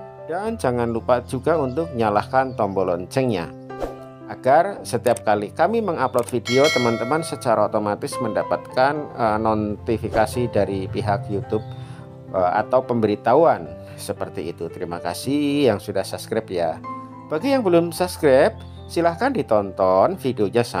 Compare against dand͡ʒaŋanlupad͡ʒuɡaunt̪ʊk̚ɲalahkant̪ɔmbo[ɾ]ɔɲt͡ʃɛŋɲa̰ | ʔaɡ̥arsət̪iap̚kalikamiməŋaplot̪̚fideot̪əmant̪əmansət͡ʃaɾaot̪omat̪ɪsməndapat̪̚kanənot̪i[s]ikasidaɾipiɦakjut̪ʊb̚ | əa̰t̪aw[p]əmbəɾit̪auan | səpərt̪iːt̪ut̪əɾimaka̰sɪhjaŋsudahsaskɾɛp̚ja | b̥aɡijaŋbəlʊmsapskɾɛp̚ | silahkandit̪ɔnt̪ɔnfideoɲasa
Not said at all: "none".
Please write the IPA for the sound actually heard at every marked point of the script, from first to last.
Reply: l, f, p

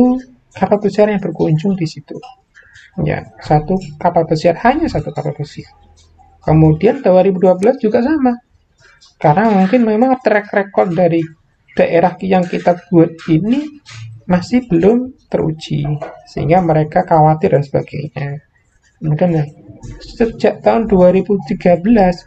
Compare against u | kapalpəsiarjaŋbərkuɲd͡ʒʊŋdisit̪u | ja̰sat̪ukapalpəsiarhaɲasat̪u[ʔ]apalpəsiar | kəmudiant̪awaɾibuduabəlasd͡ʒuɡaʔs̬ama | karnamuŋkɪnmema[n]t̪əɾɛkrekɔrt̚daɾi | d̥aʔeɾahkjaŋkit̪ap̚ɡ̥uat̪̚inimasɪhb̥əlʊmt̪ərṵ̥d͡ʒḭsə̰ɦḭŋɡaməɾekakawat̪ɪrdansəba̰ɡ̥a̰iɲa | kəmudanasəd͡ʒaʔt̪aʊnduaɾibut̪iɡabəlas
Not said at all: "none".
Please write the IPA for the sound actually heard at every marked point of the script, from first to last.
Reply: k, ŋ

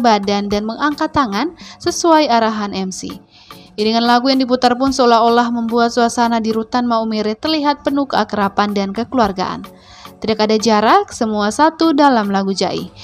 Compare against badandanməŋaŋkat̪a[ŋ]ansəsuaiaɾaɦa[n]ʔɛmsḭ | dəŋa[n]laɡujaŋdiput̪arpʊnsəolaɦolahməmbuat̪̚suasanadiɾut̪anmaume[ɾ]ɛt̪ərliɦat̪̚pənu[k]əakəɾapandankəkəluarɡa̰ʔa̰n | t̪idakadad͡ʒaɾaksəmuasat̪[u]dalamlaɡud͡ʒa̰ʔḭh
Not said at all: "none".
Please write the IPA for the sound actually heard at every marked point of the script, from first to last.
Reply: ŋ, n, n, ɾ, k, u

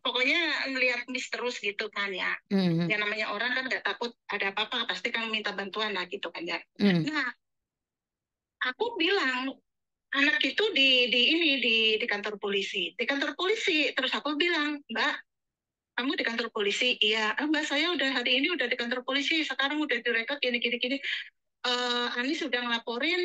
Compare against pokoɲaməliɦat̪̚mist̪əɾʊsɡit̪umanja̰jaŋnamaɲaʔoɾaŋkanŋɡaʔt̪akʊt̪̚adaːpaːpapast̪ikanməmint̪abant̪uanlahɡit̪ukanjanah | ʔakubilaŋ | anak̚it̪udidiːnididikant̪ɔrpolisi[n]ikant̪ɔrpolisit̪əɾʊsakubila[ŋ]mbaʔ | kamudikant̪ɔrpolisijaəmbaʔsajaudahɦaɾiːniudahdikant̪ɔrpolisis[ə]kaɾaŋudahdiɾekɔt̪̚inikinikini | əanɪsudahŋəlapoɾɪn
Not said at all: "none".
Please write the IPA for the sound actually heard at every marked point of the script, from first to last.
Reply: d, ŋ, ə

